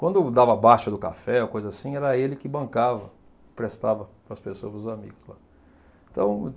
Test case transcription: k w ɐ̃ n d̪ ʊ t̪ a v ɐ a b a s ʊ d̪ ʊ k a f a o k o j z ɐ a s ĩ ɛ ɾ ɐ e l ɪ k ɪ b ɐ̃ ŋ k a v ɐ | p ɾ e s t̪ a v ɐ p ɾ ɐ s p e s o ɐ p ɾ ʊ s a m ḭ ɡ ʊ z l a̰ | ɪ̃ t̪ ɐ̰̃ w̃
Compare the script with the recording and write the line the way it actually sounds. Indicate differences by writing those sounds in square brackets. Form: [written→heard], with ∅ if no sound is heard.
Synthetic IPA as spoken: k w ɐ̃ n d̪ ʊ [t̪→d̪] a v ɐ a b a [s→ʃ] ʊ d̪ ʊ k a f [a→ɛ] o k o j z ɐ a s ĩ ɛ ɾ ɐ e l ɪ k ɪ b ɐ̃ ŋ k a v ɐ | p ɾ e s t̪ a v ɐ p ɾ ɐ s p e s o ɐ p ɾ ʊ [s→z] a m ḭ ɡ ʊ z l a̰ | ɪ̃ t̪ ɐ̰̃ w̃